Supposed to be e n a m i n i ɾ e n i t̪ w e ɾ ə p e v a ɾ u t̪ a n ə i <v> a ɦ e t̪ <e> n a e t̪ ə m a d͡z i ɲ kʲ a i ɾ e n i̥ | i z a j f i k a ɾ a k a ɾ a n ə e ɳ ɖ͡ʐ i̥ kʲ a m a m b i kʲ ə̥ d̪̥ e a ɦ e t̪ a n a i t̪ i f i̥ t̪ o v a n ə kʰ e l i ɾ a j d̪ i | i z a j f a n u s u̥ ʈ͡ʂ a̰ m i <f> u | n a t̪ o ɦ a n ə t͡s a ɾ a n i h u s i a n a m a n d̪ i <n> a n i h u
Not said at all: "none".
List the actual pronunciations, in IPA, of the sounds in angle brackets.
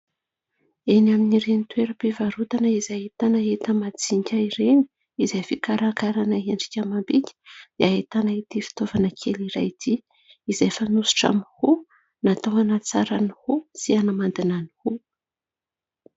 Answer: z, a, h, n

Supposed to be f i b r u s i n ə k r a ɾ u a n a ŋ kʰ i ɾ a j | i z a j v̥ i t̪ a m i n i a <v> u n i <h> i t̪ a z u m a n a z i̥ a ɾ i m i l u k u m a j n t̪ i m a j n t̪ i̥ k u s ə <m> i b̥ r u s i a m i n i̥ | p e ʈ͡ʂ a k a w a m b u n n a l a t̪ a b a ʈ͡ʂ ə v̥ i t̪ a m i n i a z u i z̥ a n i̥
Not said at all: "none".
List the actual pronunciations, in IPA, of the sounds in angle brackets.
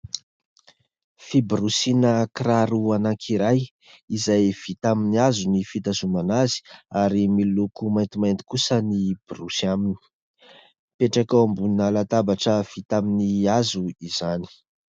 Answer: z, f, n

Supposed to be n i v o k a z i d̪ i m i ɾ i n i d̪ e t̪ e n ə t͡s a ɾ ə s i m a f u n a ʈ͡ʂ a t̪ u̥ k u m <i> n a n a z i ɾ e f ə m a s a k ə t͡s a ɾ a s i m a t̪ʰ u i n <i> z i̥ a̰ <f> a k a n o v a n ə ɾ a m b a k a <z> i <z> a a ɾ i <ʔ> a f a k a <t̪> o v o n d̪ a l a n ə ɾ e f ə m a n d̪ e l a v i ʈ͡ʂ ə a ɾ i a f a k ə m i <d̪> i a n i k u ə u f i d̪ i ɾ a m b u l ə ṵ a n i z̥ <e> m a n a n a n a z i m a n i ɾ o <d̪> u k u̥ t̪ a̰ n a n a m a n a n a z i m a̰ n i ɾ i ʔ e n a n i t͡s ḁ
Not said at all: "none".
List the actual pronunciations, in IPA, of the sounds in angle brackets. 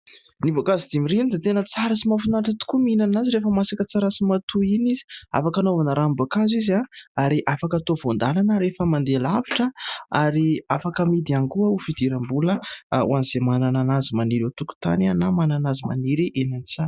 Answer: i, i, f, z, z, ʔ, t̪, d̪, e, t̪

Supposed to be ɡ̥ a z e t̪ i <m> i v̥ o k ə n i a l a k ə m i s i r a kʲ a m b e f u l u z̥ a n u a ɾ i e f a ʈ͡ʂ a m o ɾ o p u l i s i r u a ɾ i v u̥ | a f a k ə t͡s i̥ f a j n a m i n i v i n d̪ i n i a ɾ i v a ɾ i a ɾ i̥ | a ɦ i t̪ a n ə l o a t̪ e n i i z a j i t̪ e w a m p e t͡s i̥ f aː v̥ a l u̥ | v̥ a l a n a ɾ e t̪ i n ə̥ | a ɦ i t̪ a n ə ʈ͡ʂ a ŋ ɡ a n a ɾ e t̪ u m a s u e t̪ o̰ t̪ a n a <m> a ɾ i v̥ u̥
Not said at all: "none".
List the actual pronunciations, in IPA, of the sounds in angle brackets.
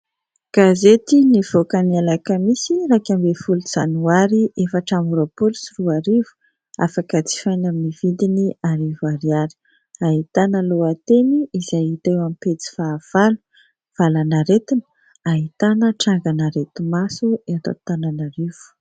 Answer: n, n

